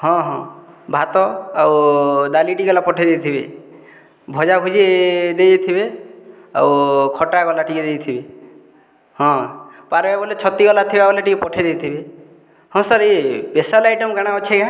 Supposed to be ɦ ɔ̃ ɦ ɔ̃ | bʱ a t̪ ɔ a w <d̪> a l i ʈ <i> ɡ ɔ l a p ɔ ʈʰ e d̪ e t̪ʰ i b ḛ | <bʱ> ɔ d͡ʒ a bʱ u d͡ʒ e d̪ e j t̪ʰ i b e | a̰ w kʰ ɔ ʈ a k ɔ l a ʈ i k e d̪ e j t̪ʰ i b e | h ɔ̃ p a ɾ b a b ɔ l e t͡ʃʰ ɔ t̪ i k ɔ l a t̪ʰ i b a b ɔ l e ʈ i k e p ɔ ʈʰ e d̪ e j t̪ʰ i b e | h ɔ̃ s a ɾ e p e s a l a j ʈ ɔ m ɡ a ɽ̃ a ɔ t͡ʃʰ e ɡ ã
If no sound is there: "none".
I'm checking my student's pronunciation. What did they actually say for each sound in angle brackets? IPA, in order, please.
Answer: d̪, i, bʱ

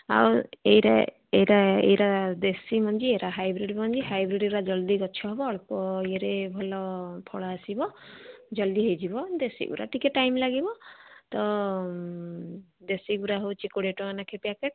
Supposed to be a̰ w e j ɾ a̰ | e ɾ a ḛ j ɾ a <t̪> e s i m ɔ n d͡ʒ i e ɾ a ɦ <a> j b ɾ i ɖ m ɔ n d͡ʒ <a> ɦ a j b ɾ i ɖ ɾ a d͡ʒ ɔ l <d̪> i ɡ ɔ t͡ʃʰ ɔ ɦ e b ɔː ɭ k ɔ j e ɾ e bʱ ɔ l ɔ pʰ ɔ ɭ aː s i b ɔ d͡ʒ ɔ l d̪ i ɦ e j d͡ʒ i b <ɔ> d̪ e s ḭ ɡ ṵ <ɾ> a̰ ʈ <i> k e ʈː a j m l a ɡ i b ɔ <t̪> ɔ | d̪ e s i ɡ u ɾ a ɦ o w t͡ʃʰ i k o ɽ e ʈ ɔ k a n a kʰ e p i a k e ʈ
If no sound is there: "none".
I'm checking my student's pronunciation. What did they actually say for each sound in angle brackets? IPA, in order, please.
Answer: d̪, a, i, d̪, ɔ, ɾ, i, t̪

